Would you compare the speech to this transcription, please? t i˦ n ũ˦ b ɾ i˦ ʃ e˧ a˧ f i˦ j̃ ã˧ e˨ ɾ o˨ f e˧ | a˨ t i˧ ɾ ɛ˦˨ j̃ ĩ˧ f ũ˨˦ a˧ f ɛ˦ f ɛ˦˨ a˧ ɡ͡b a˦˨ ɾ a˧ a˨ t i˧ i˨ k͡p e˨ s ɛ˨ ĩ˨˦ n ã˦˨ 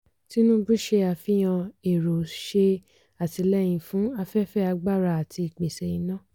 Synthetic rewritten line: t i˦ n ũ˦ b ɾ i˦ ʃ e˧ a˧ f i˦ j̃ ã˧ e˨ ɾ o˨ ʃ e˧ | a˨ t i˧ l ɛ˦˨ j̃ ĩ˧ f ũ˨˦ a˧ f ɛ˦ f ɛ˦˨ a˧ ɡ͡b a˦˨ ɾ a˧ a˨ t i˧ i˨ k͡p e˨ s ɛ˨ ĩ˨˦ n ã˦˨

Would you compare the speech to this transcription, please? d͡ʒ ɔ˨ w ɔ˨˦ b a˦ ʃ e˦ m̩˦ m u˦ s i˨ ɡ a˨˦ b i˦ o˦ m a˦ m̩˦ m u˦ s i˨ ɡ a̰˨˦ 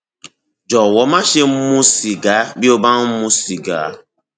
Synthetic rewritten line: d͡ʒ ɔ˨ w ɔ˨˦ m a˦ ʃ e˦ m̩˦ m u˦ s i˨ ɡ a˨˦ b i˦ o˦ b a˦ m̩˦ m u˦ s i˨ ɡ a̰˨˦

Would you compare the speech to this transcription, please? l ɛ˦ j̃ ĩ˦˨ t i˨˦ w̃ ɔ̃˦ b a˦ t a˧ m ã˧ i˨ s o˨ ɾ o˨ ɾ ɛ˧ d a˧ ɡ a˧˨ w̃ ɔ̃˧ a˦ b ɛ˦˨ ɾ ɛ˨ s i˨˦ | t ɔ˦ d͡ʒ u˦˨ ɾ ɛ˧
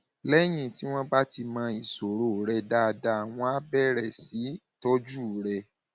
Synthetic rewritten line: l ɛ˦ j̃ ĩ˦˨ t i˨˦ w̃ ɔ̃˦ b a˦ t i˧ m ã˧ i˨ s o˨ ɾ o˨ ɾ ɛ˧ d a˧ d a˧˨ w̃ ɔ̃˧ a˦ b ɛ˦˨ ɾ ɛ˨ s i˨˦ | t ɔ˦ d͡ʒ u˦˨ ɾ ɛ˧

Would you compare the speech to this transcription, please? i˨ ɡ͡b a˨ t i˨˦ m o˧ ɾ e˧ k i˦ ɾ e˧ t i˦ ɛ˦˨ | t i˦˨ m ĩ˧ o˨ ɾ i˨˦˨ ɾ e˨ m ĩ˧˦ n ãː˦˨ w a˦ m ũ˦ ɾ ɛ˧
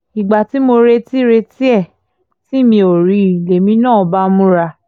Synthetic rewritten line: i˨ ɡ͡b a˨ t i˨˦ m o˧ ɾ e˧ t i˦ ɾ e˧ t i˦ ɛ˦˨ | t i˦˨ m ĩ˧ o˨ ɾ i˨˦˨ l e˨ m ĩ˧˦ n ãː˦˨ b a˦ m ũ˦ ɾ a˧

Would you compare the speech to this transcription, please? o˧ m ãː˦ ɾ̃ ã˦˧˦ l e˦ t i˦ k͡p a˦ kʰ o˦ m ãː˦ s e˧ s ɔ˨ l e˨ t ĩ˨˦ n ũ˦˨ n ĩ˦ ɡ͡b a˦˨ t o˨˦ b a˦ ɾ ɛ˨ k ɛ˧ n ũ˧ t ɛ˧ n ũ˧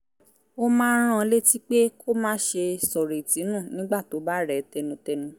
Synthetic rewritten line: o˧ m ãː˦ ɾ̃ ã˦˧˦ l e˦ t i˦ k͡p e˦ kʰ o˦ m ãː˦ ʃ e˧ s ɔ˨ ɾ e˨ t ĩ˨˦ n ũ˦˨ n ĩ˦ ɡ͡b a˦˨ t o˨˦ b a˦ ɾ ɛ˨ t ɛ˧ n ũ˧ t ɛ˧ n ũ˧

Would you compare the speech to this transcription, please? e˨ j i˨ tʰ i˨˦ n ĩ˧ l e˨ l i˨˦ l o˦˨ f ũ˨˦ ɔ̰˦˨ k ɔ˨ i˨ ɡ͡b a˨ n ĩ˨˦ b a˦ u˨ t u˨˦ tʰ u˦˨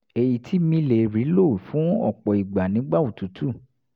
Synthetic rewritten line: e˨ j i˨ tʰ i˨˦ m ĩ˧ l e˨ ɾ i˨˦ l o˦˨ f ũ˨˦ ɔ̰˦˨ k͡p ɔ˨ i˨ ɡ͡b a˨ n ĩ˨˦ ɡ͡b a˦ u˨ t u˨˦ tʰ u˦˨

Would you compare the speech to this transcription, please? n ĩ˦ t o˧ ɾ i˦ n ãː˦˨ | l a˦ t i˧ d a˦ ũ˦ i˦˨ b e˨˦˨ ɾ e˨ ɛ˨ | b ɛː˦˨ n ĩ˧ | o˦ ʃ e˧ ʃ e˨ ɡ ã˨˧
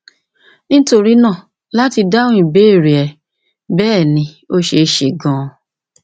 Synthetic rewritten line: n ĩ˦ t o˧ ɾ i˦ n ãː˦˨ | l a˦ t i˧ d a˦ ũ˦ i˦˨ b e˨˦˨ ɾ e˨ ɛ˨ | b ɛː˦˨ n ĩ˧ | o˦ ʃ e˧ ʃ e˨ ɡ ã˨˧

